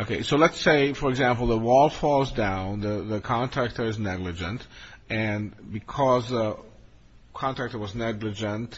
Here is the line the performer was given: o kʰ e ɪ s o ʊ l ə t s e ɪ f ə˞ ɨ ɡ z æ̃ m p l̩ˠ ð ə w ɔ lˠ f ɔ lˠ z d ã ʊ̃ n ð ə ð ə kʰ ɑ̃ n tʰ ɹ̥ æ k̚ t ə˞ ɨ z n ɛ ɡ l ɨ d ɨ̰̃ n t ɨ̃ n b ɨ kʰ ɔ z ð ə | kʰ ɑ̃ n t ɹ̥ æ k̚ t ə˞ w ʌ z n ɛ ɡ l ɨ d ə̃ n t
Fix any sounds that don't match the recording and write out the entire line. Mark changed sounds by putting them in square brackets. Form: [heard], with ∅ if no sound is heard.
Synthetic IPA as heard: o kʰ e ɪ s o ʊ l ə t s e ɪ f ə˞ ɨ ɡ z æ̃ m p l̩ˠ ð ə w ɔ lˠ f ɔ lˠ z d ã ʊ̃ n ð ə ð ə kʰ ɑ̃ n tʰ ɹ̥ æ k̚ t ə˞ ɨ z n ɛ ɡ l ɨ [d͡ʒ] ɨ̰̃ n t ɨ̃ n b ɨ kʰ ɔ z ð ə | kʰ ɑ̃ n t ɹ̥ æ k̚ t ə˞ w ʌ z n ɛ ɡ l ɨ [d͡ʒ] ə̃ n t